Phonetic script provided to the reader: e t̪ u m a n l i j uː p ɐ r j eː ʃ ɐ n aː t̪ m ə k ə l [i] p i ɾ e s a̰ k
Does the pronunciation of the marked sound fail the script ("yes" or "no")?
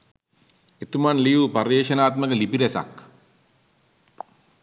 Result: no